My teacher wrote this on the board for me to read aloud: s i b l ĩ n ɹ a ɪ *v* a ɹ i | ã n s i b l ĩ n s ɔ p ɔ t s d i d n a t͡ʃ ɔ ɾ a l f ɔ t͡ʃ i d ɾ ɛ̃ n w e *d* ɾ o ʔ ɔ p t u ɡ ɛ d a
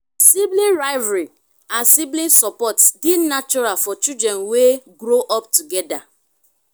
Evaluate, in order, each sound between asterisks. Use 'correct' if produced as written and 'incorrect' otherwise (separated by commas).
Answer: correct, incorrect